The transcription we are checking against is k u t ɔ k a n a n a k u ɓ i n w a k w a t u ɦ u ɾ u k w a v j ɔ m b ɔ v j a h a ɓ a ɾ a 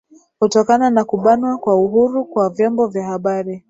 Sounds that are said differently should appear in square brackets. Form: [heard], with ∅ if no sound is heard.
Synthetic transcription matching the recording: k u t ɔ k a n a n a k u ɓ [a] n w a k w a [∅] u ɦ u ɾ u k w a v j ɔ m b ɔ v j a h a ɓ a ɾ [i]